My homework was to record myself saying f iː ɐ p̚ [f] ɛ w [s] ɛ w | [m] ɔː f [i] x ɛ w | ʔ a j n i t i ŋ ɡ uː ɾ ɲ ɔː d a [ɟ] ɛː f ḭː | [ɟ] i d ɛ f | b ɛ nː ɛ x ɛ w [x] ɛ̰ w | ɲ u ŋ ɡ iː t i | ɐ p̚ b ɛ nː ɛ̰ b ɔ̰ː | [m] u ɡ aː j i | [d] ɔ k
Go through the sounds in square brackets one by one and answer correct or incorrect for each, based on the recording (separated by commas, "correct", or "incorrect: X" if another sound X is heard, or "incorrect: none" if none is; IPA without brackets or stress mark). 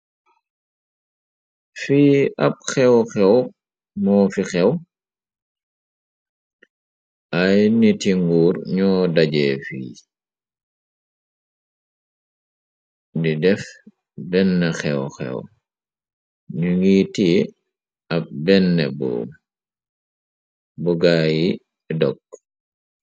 incorrect: x, incorrect: x, correct, correct, correct, incorrect: d, correct, incorrect: b, correct